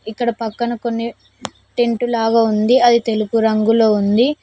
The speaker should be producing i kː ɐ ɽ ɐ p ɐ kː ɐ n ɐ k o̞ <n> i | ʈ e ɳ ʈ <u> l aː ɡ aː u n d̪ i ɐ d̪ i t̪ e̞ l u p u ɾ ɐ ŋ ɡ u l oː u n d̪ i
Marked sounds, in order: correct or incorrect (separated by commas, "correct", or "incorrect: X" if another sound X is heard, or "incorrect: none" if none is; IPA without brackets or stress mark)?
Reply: incorrect: nː, correct